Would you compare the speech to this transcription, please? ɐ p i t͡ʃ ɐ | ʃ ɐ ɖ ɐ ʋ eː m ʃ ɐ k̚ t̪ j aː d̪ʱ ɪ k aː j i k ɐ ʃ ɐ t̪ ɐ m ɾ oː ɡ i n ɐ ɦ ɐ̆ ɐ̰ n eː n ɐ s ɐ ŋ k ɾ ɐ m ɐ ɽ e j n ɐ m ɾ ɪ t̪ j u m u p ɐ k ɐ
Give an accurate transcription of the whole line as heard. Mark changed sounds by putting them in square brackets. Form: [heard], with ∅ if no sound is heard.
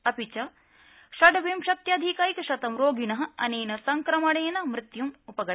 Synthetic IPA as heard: ɐ p i t͡ʃ ɐ | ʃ ɐ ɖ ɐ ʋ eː m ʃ ɐ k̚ t̪ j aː d̪ʱ [i] k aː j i k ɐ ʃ ɐ t̪ ɐ m ɾ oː ɡ i n ɐ ɦ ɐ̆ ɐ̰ n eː n ɐ s ɐ ŋ k ɾ ɐ m ɐ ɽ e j n ɐ m ɾ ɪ t̪ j u m u p ɐ [ɡ] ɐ